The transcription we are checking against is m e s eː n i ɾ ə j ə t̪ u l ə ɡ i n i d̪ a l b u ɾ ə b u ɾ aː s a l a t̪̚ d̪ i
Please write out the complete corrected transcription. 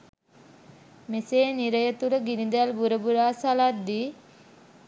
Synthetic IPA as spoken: m e s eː n i ɾ ə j ə t̪ u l ə ɡ i n i d̪ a l b u ɾ ə b u ɾ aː s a l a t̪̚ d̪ i

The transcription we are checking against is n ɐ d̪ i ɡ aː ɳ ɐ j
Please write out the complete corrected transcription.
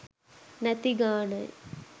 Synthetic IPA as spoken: n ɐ t̪ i ɡ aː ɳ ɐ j

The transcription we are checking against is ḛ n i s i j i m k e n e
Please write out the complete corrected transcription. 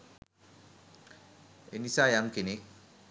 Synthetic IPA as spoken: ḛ n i s a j a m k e n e

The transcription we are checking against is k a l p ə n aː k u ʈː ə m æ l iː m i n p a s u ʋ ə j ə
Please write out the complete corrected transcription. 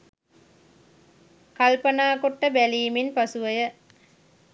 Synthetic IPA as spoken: k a l p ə n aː k o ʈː ə b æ l iː m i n p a s u ʋ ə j ə

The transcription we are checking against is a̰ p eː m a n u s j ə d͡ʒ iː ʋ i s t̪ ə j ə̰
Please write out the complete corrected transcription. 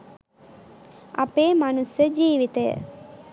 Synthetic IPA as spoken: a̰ p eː m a n u s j ə d͡ʒ iː ʋ i t̪ ə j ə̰

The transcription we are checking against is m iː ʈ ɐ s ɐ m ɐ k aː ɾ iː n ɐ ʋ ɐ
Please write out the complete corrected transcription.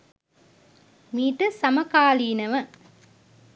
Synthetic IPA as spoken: m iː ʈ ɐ s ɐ m ɐ k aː l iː n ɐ ʋ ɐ

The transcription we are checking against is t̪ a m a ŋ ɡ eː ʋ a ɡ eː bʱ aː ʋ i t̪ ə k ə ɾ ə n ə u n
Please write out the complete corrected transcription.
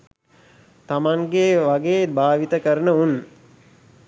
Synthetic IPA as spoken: t̪ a m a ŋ ɡ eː ʋ a ɡ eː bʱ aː ʋ i t̪ ə k ə ɾ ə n ə u n

